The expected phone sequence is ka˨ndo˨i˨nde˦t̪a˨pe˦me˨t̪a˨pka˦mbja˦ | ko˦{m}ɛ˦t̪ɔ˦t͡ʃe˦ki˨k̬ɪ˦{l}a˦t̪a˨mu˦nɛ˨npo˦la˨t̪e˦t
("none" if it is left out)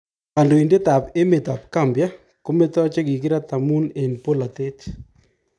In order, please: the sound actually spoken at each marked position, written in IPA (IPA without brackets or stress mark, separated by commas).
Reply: m, ɾ